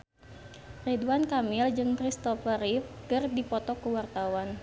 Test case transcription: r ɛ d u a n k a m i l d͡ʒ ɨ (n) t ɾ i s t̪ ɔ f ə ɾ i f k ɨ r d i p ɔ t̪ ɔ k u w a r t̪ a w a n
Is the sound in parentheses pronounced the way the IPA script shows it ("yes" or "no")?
no